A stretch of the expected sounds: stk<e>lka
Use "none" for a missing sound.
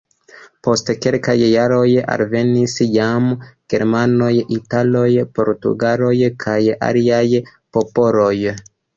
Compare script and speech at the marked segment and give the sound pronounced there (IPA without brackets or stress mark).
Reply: e